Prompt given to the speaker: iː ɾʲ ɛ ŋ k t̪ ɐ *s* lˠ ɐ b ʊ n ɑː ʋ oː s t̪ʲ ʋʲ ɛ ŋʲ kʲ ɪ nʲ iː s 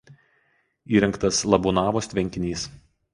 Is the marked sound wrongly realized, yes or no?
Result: no